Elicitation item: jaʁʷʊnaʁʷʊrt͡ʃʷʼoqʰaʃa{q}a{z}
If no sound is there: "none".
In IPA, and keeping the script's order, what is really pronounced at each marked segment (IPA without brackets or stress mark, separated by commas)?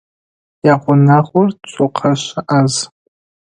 ʔ, z